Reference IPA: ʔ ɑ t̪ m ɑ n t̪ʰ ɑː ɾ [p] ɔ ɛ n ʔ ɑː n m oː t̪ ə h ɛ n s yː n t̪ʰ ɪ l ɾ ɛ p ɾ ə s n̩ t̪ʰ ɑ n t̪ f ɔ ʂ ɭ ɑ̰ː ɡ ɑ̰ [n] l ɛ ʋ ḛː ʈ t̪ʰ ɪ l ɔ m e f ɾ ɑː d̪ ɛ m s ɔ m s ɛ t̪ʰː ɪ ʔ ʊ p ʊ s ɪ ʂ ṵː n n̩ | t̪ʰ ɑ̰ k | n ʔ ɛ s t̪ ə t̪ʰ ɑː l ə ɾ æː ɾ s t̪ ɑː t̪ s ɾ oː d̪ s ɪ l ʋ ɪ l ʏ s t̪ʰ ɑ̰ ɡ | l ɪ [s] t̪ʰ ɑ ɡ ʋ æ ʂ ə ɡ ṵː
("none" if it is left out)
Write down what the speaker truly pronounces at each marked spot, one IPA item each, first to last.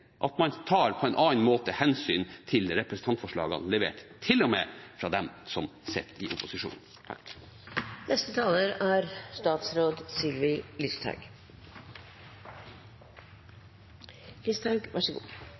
pʰ, n, s

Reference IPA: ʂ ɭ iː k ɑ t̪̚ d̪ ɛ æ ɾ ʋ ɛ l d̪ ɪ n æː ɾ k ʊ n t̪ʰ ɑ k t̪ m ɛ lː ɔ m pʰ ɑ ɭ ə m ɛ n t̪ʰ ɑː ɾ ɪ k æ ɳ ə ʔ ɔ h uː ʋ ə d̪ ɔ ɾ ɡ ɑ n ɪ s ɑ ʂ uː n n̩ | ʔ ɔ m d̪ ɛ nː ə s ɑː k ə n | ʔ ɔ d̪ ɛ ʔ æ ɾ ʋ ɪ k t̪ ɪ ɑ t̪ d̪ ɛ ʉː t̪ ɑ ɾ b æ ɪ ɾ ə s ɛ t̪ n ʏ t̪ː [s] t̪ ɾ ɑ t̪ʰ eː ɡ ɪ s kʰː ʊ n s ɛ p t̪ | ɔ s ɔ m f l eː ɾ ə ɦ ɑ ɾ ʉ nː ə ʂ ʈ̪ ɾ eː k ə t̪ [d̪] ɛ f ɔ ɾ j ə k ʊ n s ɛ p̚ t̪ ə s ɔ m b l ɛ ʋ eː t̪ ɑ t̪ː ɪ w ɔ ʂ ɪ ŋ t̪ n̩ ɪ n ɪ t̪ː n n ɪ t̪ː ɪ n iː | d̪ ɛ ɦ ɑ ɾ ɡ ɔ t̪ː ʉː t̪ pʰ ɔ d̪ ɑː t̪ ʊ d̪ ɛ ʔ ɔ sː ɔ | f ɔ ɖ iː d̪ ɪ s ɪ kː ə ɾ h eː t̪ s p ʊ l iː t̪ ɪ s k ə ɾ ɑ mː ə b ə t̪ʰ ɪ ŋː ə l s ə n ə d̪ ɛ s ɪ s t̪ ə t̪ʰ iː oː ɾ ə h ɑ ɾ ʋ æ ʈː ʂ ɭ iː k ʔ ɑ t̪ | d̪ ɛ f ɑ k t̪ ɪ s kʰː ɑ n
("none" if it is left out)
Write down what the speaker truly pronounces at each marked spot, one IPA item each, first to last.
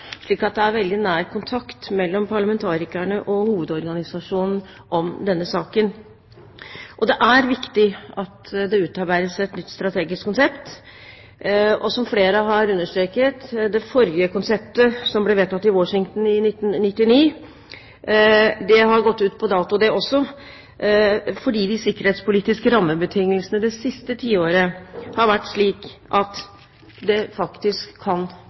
s, d̪

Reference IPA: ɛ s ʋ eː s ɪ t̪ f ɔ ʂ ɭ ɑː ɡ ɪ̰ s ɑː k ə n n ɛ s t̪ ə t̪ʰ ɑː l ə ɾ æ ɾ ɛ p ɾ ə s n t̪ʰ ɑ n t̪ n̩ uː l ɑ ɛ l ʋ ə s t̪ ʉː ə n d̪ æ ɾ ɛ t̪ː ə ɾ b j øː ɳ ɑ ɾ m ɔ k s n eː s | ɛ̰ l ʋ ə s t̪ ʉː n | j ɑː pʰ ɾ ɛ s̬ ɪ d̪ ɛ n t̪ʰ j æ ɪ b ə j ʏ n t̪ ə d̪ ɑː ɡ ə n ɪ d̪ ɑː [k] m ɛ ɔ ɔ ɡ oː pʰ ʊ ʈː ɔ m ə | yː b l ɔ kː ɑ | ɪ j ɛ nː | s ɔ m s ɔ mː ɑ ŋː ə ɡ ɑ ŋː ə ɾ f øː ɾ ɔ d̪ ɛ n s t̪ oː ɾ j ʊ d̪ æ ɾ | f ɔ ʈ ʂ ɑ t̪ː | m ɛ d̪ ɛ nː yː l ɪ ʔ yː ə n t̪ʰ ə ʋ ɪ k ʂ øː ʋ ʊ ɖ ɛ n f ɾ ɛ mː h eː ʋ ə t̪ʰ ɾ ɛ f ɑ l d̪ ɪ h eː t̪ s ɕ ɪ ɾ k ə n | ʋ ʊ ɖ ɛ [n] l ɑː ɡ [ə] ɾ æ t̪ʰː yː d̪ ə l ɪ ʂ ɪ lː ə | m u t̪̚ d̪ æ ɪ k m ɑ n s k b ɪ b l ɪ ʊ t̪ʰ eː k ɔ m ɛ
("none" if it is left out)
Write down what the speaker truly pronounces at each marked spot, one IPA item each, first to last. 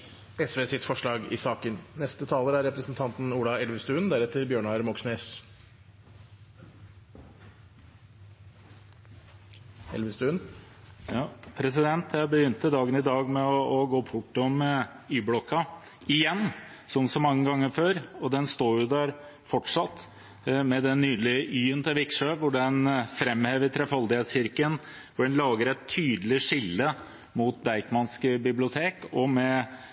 ɡ, n, ə

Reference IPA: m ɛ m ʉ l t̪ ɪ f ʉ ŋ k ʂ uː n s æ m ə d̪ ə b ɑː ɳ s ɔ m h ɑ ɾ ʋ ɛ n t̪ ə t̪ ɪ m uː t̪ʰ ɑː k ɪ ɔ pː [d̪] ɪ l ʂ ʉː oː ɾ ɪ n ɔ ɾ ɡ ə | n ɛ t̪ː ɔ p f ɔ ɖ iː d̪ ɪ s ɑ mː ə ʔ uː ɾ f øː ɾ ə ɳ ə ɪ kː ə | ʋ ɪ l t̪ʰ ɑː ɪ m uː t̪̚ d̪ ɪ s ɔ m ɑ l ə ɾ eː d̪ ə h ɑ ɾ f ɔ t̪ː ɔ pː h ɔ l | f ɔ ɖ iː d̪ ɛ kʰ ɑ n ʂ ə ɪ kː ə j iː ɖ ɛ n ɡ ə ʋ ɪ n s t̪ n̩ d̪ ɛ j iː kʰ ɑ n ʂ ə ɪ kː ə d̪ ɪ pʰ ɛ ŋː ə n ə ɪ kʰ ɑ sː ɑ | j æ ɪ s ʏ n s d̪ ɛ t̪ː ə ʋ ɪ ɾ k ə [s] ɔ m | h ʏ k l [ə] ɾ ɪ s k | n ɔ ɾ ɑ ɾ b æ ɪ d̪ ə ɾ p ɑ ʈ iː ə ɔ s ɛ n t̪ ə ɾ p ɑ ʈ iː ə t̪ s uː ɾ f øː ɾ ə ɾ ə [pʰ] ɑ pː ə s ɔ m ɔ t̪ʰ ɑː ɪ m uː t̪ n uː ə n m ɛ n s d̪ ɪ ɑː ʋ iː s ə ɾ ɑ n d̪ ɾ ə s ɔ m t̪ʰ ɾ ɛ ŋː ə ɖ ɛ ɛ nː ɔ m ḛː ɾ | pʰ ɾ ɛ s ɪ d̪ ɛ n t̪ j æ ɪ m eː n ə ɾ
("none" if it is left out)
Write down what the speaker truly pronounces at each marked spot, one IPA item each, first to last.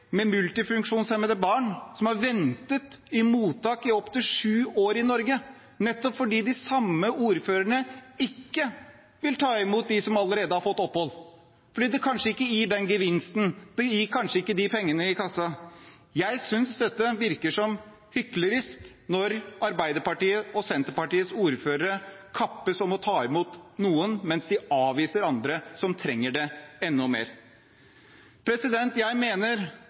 t̪, ʂ, ə, kʰ

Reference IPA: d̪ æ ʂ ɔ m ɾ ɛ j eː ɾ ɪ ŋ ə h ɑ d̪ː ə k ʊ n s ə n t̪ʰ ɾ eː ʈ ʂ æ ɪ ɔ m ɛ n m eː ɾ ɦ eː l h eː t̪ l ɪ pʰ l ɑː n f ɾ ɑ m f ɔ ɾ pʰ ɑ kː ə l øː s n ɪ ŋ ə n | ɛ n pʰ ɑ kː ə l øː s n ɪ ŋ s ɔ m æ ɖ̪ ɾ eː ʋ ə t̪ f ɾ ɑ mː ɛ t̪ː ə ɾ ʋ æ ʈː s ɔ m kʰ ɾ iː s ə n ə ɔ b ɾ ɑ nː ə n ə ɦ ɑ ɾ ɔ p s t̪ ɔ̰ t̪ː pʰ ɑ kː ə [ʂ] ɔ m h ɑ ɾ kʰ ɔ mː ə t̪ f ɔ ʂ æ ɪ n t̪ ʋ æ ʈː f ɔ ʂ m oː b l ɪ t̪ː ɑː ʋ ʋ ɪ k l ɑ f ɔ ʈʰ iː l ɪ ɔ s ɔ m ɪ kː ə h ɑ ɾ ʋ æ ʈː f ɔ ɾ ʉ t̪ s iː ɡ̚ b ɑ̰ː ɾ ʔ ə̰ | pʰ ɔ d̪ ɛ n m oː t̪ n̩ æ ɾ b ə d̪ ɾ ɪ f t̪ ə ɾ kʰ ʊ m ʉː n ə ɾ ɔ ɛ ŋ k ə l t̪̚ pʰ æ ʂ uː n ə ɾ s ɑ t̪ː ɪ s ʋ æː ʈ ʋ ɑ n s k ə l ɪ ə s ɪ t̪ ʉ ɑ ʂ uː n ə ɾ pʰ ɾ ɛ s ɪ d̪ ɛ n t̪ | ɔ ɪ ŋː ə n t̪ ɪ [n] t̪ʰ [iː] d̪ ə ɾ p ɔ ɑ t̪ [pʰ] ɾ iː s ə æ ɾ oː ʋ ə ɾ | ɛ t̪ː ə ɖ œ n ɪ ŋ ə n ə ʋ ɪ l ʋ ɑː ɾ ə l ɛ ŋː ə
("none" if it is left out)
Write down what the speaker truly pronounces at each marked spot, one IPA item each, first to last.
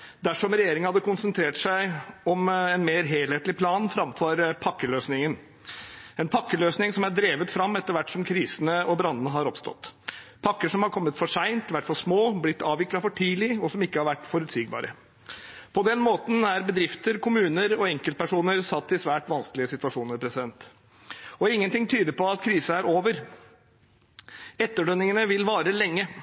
ʂ, ŋ, yː, kʰ

